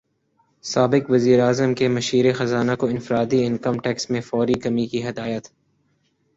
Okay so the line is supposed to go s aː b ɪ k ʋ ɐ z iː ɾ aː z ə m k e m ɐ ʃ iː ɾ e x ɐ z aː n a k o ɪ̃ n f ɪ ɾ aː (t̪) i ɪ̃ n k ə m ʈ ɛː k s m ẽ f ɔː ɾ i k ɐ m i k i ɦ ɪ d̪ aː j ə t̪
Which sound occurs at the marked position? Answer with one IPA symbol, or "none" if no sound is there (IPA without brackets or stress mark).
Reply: d̪